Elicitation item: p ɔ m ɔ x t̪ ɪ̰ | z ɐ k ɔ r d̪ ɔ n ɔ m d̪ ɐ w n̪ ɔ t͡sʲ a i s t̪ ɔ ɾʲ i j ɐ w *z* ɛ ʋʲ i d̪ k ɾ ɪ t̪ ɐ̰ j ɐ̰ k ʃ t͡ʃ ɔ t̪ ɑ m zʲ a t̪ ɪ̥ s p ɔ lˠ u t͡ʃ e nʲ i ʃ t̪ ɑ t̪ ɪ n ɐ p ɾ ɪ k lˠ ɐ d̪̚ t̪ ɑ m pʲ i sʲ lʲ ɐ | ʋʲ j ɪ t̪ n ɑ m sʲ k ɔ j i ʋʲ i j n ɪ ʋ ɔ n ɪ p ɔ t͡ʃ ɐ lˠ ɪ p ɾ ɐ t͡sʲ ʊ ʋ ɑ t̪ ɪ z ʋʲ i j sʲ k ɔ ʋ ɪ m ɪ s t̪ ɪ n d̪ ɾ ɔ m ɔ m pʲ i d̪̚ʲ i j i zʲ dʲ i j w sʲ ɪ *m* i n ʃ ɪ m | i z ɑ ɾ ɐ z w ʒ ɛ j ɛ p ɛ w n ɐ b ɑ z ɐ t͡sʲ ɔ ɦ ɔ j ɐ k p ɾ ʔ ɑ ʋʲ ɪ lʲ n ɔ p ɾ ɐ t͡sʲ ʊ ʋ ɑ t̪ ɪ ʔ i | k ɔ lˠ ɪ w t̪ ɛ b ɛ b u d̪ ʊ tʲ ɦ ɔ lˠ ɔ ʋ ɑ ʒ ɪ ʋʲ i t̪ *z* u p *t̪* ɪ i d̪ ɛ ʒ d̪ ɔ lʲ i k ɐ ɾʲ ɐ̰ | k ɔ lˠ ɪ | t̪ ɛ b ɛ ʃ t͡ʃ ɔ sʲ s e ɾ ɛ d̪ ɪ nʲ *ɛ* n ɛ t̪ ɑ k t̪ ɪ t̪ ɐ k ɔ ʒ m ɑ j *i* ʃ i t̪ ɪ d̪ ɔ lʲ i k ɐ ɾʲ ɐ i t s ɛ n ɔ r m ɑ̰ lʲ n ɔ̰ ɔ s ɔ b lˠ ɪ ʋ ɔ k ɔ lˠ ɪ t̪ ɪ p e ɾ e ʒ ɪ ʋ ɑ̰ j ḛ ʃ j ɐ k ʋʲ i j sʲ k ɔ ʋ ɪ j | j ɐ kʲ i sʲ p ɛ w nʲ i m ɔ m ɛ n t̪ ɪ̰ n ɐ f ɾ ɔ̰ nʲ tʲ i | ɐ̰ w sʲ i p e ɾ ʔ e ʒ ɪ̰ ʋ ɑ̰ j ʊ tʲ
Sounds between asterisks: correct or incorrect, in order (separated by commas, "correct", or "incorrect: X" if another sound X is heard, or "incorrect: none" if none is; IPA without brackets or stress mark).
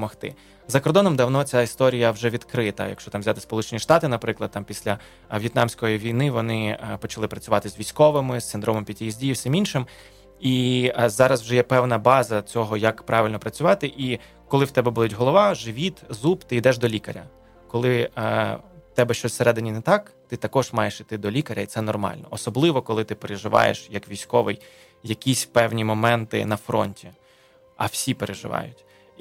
incorrect: ʒ, correct, correct, correct, incorrect: i, incorrect: e